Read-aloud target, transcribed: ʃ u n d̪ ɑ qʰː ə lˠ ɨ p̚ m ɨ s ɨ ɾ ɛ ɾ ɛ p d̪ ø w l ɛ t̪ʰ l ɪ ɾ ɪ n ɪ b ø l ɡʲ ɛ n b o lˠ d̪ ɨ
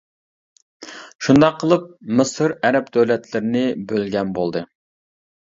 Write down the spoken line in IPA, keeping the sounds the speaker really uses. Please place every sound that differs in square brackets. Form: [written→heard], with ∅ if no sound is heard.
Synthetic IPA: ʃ u n d̪ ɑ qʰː ə lˠ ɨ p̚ m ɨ s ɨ ɾ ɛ ɾ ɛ p d̪ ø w l ɛ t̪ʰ l ɪ ɾ ɪ n ɪ b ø l ɡʲ ɛ n b o lˠ d̪ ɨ